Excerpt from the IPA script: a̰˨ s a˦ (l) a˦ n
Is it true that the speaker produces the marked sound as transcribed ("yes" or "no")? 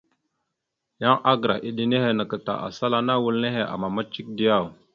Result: yes